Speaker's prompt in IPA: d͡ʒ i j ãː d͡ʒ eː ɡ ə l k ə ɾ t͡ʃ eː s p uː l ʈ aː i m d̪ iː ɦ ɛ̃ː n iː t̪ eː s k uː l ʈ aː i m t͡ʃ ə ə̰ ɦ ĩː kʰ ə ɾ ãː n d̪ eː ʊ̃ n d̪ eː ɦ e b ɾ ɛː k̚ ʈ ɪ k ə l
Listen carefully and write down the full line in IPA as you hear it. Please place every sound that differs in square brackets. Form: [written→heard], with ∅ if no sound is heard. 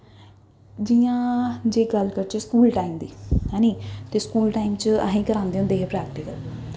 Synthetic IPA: d͡ʒ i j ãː d͡ʒ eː ɡ ə l k ə ɾ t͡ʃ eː s [p→k] uː l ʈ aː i m d̪ iː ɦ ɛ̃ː n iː t̪ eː s k uː l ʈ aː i m t͡ʃ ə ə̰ ɦ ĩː [kʰ→k] ə ɾ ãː n d̪ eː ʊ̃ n d̪ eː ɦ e [b→p] ɾ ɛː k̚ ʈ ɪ k ə l

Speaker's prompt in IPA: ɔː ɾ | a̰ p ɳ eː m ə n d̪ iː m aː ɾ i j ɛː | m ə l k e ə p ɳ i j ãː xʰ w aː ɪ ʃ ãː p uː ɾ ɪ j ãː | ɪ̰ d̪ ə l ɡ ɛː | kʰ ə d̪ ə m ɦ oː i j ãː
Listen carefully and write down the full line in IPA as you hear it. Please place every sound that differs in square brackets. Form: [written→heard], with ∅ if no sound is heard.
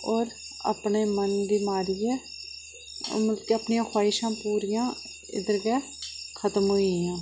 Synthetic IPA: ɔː ɾ | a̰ p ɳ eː m ə n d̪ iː m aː ɾ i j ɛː | m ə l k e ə p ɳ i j ãː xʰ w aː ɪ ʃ ãː p uː ɾ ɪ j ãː | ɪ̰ d̪ ə [l→ɾ] ɡ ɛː | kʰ ə [d̪→t̪] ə m ɦ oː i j ãː

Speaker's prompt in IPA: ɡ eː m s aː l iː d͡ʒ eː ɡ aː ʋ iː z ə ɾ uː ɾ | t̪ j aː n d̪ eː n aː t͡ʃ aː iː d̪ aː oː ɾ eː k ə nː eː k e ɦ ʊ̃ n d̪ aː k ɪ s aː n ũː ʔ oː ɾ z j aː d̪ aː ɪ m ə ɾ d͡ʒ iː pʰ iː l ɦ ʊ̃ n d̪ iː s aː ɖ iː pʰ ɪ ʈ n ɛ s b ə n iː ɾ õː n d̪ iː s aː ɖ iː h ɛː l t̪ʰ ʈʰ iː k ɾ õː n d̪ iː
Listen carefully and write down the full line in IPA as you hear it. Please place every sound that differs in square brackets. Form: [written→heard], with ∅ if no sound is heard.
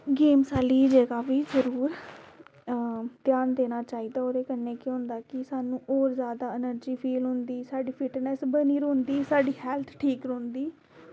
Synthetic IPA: ɡ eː m s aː l iː d͡ʒ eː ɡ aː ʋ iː z ə ɾ uː ɾ | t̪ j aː n d̪ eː n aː t͡ʃ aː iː d̪ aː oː ɾ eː k ə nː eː k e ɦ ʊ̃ n d̪ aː k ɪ s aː n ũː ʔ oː ɾ z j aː d̪ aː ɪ [m→n] ə ɾ d͡ʒ iː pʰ iː l ɦ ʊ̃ n d̪ iː s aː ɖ iː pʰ ɪ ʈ n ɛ s b ə n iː ɾ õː n d̪ iː s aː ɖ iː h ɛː l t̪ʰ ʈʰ iː k ɾ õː n d̪ iː

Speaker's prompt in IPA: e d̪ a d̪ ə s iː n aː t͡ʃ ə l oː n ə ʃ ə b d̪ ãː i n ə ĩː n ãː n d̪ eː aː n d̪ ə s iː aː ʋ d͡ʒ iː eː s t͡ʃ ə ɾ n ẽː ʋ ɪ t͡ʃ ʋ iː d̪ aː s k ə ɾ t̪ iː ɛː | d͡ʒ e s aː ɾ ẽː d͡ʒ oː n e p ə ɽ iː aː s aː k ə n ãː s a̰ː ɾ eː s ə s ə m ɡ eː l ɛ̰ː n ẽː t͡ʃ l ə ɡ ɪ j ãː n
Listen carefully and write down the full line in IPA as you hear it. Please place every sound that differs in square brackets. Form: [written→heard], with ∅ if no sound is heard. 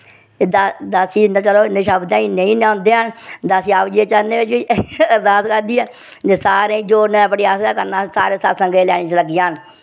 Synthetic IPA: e d̪ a d̪ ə s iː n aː t͡ʃ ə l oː n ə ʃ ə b d̪ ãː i n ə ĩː n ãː n d̪ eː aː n d̪ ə s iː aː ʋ d͡ʒ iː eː [s→∅] t͡ʃ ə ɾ n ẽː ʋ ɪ t͡ʃ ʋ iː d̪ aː s k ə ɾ [t̪→d̪] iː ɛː | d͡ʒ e s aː ɾ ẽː d͡ʒ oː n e p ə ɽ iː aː s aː k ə n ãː s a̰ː ɾ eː s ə s ə [m→ŋ] ɡ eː l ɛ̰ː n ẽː t͡ʃ l ə ɡ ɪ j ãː n

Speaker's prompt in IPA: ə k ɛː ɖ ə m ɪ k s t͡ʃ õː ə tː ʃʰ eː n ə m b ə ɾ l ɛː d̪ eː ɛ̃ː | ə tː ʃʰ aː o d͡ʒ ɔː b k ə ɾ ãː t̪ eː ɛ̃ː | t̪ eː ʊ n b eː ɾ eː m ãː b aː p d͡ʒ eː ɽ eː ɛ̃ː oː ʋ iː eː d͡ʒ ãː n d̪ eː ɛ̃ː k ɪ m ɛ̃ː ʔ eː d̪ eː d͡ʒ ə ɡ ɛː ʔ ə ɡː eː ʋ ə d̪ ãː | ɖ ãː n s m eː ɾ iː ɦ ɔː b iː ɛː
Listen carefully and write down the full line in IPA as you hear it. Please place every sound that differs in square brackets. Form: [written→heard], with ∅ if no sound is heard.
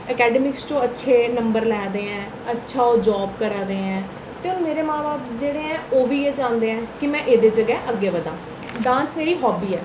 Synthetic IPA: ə k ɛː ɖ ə m ɪ k s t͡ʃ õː ə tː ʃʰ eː n ə m b ə ɾ l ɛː d̪ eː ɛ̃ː | ə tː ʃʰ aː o d͡ʒ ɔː b k ə ɾ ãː [t̪→d̪] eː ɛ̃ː | t̪ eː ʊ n [b→m] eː ɾ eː m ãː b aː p d͡ʒ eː ɽ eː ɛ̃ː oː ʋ iː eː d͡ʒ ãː n d̪ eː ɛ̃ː k ɪ m ɛ̃ː ʔ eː d̪ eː d͡ʒ ə ɡ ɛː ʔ ə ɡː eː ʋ ə d̪ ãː | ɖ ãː n s m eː ɾ iː ɦ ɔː b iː ɛː

